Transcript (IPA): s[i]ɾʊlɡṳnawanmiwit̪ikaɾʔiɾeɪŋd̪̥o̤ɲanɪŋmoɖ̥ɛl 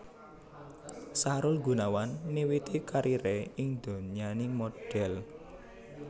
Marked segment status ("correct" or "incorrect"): incorrect